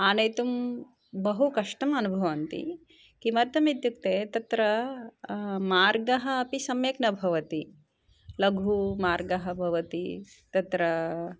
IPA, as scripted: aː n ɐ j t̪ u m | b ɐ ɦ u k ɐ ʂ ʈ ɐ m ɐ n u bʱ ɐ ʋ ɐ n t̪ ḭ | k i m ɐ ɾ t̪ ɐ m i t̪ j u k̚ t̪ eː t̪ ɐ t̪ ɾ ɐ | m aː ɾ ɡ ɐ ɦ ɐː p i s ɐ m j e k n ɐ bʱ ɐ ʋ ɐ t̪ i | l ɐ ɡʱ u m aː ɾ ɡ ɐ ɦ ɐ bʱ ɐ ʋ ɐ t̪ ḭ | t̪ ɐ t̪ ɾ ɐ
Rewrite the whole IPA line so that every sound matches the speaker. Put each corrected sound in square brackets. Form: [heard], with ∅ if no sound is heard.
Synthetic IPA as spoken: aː n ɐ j t̪ u m | b ɐ ɦ u k ɐ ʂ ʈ ɐ m ɐ n u bʱ ɐ ʋ ɐ n t̪ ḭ | k i m ɐ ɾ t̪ ɐ m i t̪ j u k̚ t̪ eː t̪ ɐ t̪ ɾ ɐ | m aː ɾ ɡ ɐ ɦ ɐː p i s ɐ m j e k n ɐ bʱ ɐ ʋ ɐ t̪ i | l ɐ ɡʱ u m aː ɾ ɡ ɐ ɦ ɐ bʱ ɐ ʋ ɐ t̪ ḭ | t̪ ɐ t̪ ɾ ɐ